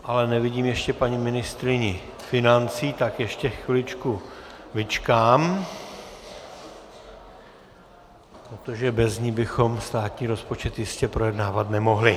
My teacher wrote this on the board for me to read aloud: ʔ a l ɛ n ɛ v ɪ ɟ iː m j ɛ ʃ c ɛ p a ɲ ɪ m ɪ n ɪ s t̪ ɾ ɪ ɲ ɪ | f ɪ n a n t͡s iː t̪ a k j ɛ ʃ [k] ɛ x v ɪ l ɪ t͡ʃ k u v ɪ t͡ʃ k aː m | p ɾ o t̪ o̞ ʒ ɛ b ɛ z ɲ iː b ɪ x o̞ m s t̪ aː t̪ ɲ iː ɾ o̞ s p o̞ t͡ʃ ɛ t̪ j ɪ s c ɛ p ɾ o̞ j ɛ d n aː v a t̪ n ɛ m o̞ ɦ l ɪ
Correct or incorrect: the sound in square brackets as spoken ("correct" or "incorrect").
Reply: incorrect